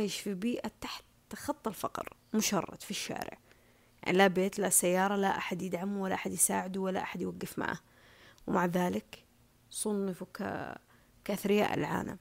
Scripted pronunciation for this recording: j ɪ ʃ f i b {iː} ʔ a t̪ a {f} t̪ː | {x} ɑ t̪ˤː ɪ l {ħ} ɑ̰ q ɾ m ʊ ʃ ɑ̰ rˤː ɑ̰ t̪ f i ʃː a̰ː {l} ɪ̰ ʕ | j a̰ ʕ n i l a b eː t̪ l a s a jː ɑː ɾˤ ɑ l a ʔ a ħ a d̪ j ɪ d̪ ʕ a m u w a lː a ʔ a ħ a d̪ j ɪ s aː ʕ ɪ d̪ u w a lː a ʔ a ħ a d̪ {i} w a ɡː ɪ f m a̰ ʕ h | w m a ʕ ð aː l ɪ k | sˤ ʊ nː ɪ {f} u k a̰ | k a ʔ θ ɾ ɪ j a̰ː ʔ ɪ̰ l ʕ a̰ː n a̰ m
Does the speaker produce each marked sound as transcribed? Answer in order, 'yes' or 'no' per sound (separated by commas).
yes, no, yes, no, no, no, yes